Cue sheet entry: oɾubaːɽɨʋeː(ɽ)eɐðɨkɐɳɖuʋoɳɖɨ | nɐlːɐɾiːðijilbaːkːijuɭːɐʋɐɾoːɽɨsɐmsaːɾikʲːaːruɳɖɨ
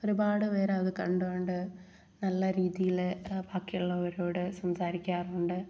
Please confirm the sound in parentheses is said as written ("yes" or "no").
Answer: no